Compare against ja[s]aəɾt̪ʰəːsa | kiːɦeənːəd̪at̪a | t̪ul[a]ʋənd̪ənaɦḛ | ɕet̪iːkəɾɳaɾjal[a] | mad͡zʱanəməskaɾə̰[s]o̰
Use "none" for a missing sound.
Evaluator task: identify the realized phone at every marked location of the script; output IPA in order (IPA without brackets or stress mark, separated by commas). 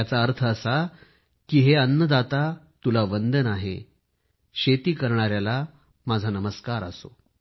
t͡s, a, a, s